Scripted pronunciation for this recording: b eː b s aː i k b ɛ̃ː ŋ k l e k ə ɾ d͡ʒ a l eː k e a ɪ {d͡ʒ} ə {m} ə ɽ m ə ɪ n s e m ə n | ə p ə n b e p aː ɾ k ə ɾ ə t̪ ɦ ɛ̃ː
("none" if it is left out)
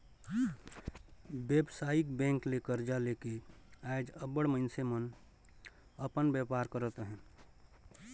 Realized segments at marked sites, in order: d͡ʒ, b

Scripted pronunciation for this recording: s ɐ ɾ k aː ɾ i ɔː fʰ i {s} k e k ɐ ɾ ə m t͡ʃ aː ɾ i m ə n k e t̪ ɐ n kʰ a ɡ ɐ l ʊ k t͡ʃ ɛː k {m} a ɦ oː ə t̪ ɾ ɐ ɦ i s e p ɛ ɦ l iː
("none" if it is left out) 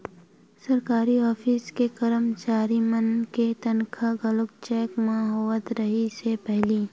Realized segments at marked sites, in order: s, m

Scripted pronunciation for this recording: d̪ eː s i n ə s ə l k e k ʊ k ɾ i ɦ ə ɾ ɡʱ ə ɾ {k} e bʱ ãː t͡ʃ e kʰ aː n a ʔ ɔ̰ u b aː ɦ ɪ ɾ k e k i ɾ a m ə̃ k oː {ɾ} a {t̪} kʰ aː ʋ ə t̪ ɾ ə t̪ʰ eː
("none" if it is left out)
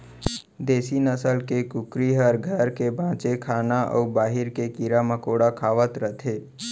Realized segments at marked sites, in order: k, ɽ, none

